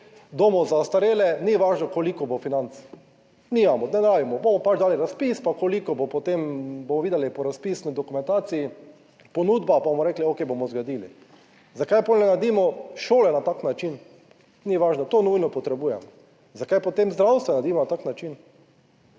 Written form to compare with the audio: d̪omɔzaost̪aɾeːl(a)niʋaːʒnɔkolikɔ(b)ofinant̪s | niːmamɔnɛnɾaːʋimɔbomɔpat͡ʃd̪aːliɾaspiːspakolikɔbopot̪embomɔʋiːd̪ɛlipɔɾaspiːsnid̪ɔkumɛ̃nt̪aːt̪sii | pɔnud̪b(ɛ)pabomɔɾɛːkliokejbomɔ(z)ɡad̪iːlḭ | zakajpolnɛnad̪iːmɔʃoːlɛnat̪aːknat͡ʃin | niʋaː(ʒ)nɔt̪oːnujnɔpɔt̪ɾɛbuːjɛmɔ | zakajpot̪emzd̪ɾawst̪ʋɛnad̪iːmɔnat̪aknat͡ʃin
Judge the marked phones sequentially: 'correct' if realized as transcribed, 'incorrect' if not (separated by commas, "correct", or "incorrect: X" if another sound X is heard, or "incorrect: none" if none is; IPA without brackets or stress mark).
incorrect: ɛ, correct, incorrect: a, correct, correct